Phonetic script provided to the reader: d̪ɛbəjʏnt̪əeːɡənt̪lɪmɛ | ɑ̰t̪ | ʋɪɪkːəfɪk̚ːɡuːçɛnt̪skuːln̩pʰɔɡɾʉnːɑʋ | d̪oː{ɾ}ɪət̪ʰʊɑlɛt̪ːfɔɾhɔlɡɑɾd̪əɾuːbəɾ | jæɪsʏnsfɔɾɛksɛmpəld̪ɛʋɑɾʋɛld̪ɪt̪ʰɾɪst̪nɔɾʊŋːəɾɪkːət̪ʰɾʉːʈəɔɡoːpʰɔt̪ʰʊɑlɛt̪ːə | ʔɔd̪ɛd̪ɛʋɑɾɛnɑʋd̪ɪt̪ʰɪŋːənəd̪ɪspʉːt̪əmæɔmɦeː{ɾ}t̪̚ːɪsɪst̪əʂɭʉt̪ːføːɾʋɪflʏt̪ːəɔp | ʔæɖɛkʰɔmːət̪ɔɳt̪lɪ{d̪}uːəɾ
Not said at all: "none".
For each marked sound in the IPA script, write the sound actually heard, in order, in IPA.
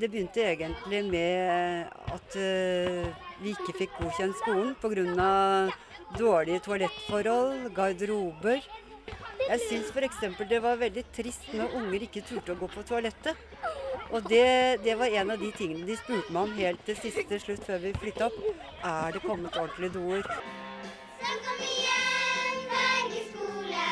ɭ, l, d̪

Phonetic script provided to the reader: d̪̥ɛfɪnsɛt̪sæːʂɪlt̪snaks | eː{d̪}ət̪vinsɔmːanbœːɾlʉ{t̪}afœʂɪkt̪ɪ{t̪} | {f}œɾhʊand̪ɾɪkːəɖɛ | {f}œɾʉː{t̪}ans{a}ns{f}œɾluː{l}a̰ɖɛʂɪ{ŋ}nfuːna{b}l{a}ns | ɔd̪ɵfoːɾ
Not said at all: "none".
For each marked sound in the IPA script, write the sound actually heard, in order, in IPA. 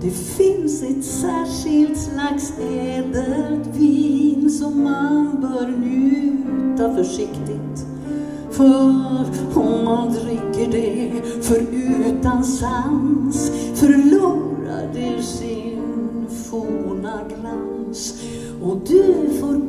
d̪, t̪, t̪, f, f, t̪, a, f, ɾ, n, ɡ, a

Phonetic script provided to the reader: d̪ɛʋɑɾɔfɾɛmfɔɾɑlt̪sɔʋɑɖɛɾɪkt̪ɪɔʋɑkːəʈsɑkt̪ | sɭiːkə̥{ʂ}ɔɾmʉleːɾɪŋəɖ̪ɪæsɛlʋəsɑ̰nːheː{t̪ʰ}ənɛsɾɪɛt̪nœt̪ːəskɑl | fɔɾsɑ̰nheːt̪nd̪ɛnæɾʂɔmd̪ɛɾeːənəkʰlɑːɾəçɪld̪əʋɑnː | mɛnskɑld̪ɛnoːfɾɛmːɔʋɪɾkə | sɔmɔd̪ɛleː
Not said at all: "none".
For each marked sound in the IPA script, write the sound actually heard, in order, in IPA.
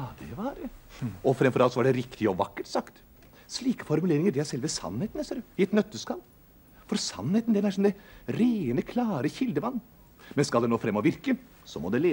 f, t̪

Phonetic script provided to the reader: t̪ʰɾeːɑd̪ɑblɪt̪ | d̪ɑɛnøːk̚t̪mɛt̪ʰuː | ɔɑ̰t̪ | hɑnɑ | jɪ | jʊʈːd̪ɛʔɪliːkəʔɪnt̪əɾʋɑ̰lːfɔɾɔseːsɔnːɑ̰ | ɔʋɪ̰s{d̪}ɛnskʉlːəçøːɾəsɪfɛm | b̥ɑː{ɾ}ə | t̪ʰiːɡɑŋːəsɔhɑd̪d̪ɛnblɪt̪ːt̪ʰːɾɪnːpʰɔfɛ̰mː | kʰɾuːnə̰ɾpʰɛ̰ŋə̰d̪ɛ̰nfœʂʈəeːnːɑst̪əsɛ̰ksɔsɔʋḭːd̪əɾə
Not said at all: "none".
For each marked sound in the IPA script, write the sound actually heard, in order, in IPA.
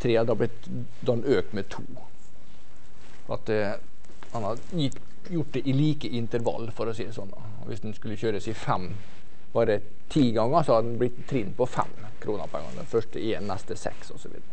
d̪, ɾ

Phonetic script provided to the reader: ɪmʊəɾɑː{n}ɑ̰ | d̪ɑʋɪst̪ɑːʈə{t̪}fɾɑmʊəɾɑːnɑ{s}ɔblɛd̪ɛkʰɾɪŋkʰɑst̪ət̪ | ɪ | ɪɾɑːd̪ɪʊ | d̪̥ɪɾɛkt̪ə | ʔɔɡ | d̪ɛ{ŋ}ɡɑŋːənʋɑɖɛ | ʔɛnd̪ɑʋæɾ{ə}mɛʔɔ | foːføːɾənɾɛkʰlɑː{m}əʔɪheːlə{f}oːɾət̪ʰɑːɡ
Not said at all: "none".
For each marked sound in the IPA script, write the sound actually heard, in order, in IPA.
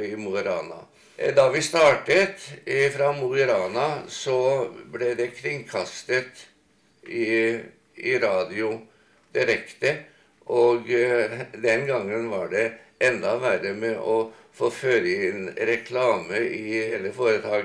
n, t̪, s, n, ə, m, f

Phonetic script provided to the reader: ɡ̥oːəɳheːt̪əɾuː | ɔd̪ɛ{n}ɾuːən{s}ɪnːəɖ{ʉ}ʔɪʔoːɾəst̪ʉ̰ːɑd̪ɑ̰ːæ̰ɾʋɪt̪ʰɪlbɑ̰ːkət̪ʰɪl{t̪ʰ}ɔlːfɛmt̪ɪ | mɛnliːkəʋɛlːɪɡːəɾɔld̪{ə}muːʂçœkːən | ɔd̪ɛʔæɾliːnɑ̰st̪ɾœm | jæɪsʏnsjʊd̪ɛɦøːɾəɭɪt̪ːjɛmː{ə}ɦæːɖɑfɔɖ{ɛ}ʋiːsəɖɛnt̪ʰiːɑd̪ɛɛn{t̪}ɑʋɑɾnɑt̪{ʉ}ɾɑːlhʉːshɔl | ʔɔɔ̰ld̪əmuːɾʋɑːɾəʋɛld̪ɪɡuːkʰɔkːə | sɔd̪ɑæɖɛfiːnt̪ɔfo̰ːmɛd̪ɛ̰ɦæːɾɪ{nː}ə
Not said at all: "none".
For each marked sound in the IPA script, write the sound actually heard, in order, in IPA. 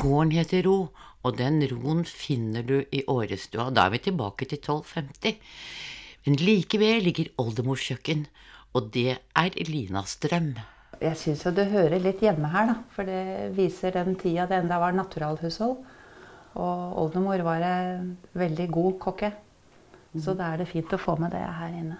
n, f, ʉ, t̪ʰ, ə, ə, ɛ, d̪, ʉ, nː

